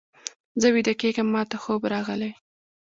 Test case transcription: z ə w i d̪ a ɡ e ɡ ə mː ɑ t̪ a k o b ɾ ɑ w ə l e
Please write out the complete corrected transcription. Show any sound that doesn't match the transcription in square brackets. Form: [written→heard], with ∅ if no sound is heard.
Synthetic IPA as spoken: z ə w i d̪ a [ɡ→k] e ɡ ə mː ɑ t̪ a [k→x] o b ɾ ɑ [w→ɣ] ə l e